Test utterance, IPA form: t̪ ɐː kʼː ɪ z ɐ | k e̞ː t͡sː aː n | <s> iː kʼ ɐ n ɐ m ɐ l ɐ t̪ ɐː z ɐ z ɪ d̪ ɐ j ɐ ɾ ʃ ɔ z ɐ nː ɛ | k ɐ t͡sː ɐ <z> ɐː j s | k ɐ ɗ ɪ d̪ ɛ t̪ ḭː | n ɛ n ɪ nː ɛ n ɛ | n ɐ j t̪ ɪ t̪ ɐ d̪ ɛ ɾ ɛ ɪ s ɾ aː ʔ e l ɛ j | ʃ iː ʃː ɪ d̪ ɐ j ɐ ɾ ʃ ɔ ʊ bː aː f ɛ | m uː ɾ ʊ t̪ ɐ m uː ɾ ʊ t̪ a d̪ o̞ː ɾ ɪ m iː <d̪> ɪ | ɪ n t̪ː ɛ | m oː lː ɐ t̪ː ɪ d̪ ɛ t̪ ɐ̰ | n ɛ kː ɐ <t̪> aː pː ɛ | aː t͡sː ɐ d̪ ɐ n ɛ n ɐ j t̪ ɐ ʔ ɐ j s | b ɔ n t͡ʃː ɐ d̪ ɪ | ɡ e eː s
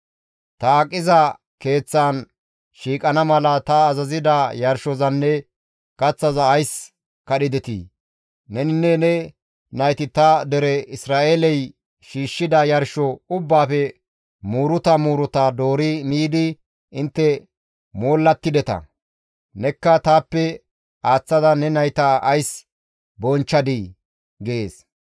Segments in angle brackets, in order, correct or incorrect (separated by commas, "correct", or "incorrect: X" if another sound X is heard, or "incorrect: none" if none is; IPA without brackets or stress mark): incorrect: ʃ, correct, correct, correct